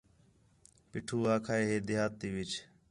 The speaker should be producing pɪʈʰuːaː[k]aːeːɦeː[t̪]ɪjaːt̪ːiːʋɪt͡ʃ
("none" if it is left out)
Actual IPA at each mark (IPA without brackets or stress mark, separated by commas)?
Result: kʰ, d̪